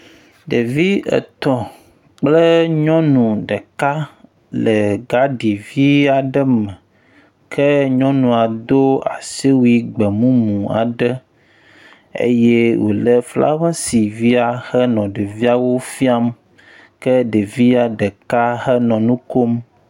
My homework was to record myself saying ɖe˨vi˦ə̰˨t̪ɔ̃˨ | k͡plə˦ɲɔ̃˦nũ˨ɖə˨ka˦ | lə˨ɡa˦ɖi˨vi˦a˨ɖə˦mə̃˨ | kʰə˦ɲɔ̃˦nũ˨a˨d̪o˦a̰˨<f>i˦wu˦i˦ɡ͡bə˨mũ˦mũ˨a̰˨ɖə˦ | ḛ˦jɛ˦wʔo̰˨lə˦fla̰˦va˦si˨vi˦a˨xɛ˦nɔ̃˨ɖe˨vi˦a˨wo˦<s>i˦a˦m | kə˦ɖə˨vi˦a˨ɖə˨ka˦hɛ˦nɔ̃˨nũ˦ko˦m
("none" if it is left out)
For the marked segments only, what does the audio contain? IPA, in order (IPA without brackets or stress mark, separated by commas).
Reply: s, f